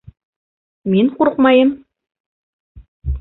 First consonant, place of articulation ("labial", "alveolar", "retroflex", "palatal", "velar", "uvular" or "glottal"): labial